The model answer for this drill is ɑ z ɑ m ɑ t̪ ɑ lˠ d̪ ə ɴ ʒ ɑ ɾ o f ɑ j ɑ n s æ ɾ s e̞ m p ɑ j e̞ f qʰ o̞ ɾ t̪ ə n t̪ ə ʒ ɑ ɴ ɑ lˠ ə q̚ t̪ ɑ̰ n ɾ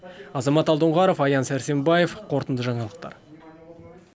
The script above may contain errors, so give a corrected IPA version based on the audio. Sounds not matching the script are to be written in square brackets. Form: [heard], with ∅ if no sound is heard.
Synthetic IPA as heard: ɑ z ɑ m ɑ t̪ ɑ lˠ d̪ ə ɴ [ʁ] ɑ ɾ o f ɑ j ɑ n s æ ɾ s e̞ m [b] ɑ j e̞ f qʰ o̞ ɾ t̪ ə n [d̪] ə ʒ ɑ ɴ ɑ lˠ ə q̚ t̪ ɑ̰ [∅] ɾ